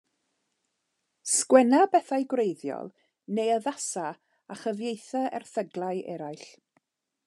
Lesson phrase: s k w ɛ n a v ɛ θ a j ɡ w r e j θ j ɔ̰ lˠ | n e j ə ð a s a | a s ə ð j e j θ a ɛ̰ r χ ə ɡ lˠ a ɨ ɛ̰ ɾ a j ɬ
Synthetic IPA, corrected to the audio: s k w ɛ n a b ɛ θ a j ɡ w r e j ð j ɔ̰ lˠ | n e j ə ð a s a | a χ ə v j e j θ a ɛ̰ r θ ə ɡ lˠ a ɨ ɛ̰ ɾ a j ɬ